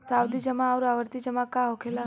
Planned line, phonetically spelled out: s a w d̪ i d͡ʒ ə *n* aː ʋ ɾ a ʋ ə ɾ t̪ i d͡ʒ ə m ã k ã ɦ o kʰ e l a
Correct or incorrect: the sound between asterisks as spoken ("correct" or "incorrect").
incorrect